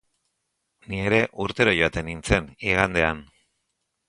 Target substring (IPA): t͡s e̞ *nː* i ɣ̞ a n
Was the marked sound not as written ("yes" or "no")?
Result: yes